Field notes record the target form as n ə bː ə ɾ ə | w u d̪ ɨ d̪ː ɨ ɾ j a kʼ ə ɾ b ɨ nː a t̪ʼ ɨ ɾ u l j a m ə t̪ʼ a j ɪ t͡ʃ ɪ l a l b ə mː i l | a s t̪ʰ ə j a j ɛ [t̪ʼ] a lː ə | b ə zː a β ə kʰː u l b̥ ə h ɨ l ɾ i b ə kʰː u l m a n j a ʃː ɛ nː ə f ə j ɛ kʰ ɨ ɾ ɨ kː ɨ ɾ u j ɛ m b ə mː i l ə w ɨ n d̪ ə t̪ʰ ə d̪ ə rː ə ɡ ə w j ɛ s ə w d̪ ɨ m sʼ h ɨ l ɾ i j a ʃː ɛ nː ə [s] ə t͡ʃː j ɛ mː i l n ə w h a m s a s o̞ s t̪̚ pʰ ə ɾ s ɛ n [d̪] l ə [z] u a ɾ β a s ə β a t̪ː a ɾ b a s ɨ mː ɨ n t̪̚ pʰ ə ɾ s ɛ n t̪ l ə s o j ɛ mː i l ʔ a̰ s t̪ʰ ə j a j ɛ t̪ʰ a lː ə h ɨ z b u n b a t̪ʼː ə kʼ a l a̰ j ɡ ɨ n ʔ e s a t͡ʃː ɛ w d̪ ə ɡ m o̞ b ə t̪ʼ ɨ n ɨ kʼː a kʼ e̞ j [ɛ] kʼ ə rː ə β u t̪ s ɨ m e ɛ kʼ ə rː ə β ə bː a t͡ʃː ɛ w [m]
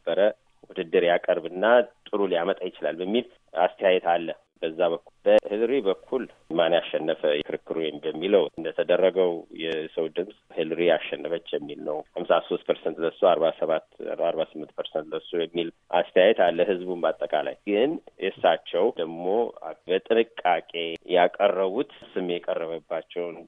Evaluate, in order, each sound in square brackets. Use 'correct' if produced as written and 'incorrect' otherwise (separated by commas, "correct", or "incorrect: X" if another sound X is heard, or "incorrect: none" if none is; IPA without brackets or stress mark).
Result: incorrect: t̪, incorrect: f, incorrect: t̪, incorrect: s, incorrect: a, incorrect: n